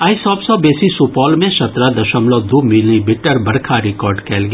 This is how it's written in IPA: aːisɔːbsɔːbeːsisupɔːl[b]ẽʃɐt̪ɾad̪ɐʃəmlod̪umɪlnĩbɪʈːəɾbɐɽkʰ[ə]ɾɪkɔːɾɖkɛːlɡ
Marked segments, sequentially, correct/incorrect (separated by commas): incorrect, incorrect